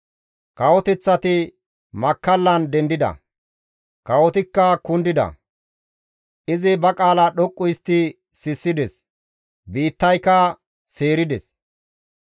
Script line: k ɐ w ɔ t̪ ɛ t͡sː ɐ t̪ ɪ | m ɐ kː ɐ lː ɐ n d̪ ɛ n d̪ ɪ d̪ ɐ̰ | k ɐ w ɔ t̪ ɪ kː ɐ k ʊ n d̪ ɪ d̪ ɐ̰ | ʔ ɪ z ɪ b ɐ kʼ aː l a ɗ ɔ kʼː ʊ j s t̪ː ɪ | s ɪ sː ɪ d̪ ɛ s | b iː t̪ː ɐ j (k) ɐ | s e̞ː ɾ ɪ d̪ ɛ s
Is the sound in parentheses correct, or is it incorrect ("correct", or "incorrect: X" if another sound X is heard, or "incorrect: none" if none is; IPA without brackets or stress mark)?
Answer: correct